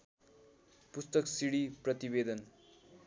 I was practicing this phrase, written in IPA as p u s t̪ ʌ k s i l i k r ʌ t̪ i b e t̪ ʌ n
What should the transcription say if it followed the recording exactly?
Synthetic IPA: p u s t̪ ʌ k s i ɽ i p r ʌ t̪ i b e d̪ ʌ n